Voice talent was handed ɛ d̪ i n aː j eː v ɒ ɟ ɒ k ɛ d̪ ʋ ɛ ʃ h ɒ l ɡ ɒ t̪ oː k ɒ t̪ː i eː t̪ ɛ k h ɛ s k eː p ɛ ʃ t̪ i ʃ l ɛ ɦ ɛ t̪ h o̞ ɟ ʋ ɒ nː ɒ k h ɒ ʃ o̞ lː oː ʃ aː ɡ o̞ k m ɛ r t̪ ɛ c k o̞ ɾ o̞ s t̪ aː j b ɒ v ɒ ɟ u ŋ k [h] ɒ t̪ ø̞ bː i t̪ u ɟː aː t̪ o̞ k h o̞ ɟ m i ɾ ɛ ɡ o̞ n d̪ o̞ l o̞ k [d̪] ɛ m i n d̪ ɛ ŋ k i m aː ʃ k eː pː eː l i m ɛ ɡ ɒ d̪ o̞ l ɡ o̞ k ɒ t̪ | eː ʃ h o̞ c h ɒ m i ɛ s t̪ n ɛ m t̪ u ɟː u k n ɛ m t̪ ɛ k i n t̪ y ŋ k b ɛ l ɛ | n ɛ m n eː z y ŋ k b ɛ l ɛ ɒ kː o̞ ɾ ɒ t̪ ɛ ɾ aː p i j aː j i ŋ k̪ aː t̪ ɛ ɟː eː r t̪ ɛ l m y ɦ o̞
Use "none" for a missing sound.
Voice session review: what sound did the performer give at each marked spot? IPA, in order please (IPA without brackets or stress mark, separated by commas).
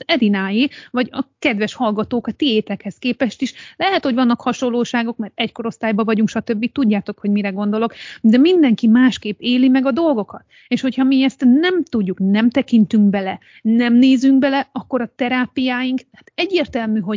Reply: ʃ, d̪